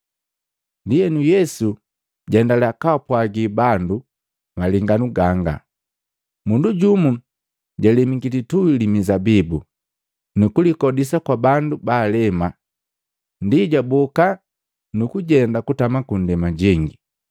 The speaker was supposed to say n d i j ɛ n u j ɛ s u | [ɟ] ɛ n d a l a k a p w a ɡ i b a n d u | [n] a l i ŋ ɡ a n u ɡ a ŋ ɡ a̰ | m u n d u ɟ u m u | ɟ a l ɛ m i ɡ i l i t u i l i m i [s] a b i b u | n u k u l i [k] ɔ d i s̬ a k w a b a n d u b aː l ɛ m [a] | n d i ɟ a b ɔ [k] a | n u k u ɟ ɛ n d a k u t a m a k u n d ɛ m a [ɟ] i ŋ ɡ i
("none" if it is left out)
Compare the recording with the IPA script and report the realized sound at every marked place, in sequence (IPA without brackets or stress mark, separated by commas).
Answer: ɟ, m, z, k, a, k, ɟ